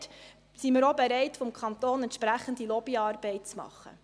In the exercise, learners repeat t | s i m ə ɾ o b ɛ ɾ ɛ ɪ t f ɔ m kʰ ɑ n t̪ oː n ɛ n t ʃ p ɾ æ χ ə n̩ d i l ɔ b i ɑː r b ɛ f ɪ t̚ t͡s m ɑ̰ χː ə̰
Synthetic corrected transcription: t | s i m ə ɾ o b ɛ ɾ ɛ ɪ t f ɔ m kʰ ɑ n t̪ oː n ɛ n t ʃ p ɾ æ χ ə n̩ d i l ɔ b i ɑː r b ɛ ɪ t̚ t͡s m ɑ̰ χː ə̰

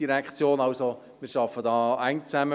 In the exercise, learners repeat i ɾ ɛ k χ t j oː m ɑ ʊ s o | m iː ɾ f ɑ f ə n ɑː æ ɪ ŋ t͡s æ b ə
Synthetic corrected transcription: i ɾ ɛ k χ t͡s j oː n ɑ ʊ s o | m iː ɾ ʃ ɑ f ə d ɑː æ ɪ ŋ t͡s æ m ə

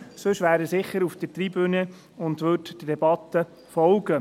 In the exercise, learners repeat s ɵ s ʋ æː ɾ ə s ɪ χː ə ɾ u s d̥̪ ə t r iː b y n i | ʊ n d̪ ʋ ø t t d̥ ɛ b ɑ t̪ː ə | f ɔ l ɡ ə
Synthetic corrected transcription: s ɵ ʃ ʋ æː ɾ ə s ɪ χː ə ɾ u f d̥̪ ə t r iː b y n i | ʊ n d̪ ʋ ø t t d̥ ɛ b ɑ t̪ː ə | f ɔ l ɡ ə

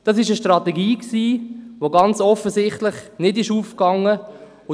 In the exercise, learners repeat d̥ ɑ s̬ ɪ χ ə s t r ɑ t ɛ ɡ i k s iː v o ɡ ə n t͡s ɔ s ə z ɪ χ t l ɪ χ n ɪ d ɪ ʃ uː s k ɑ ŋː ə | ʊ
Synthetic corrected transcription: d̥ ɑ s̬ ɪ ʃ ə ʃ t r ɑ t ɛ ɡ iː k s iː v o ɡ ɑ n t͡s ɔ f ə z ɪ χ t l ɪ χ n ɪ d ɪ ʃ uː f k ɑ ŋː ə | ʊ

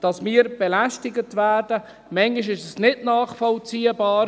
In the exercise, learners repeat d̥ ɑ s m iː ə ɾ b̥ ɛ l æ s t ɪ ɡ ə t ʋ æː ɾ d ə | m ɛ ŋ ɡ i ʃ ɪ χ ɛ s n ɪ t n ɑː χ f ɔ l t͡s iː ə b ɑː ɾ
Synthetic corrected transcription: d̥ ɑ s m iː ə ɾ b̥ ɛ l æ s t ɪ ɡ ə t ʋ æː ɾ d ə | m ɛ ŋ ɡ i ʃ ɪ ʃ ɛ s n ɪ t n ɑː χ f ɔ l t͡s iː ə b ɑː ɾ

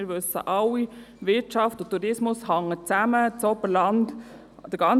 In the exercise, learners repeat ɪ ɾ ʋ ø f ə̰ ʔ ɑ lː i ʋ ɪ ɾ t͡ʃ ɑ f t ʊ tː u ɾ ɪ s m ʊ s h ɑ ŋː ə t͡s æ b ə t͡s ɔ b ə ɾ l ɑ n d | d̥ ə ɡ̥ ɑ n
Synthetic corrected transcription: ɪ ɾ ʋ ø s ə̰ ʔ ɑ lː i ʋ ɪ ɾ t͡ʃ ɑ f t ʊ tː u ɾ ɪ s m ʊ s h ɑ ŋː ə t͡s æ m ə t͡s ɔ b ə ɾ l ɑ n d | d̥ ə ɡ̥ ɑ n

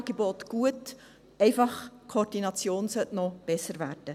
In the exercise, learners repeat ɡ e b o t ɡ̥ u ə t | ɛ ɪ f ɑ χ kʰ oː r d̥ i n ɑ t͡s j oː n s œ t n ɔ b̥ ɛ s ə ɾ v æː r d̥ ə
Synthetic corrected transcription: ɡ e b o t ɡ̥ u ə t | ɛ ɪ f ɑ χ kʰ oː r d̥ i n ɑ t͡s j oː n s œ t n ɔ b̥ ɛ s ə ɾ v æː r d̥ ə

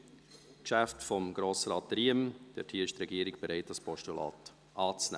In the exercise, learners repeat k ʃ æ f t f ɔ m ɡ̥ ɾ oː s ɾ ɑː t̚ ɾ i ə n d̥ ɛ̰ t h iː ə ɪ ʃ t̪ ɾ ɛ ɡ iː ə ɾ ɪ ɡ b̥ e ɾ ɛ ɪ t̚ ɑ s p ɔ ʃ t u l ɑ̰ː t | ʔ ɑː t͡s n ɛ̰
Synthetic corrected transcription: k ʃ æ f t f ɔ m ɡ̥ ɾ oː s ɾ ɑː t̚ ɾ i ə m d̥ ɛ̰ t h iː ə ɪ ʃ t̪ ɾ ɛ ɡ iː ə ɾ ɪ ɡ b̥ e ɾ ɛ ɪ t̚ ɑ s p ɔ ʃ t u l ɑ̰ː t | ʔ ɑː t͡s n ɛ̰

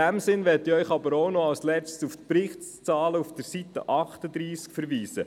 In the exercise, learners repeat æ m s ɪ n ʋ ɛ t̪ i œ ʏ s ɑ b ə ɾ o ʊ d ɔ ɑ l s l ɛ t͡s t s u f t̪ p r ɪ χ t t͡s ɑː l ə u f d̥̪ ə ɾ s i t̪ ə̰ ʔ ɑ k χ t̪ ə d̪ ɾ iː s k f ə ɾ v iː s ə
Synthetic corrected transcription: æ m s ɪ n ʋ ɛ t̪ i œ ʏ χ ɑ b ə ɾ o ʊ n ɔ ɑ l s l ɛ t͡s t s u f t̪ p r ɪ χ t t͡s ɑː l ə u f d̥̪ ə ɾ s i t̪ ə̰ ʔ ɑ χ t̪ ə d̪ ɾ iː s k f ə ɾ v iː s ə

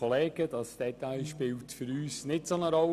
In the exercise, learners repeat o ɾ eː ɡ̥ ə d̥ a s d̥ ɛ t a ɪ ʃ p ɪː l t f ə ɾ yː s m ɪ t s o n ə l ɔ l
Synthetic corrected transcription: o l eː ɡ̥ ə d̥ ɑ s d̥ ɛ t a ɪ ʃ p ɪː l t f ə ɾ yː s n ɪ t s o n ə ɾ ɔ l

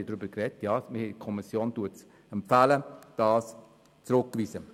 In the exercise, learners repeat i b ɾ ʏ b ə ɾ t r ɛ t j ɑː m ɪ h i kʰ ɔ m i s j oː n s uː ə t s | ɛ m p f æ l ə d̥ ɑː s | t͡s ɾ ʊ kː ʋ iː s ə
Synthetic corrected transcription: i d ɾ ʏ b ə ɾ k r ɛ t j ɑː m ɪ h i kʰ ɔ m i s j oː n t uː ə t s | ɛ m p f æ l ə d̥ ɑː s | t͡s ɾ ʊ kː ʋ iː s ə

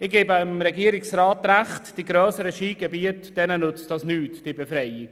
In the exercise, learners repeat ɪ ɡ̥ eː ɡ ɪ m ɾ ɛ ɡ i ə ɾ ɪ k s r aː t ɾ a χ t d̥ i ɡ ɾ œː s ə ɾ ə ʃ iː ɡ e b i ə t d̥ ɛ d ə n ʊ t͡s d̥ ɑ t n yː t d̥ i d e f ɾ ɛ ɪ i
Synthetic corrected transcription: ɪ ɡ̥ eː b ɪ m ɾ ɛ ɡ i ə ɾ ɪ k s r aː t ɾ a χ t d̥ i ɡ ɾ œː s ə ɾ ə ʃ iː ɡ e b i ə t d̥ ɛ n ə n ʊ t͡s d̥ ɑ s n yː t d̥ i b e f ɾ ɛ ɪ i

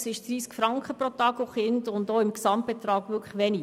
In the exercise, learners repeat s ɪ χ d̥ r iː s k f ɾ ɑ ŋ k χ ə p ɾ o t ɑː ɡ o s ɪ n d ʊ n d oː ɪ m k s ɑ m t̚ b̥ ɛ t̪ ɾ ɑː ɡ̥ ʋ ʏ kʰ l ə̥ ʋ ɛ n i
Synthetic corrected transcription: s ɪ ʃ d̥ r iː s k f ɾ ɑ ŋ k χ ə p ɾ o t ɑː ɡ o χ ɪ n d ʊ n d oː ɪ m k s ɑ m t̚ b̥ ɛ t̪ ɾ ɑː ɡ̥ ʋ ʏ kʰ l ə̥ ʋ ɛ n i

